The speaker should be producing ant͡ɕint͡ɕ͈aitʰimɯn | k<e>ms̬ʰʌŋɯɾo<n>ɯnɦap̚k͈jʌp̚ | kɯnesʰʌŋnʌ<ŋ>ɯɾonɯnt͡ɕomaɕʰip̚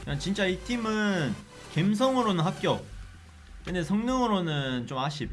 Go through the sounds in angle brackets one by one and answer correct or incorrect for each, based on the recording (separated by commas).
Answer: correct, correct, correct